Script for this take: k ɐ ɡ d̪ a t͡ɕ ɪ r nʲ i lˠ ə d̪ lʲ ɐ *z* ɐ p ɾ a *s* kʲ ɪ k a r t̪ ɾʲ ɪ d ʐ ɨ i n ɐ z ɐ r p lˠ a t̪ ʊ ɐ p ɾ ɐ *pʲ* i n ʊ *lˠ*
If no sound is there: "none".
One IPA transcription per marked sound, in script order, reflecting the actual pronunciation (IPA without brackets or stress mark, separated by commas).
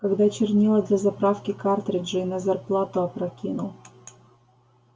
z, f, kʲ, lˠ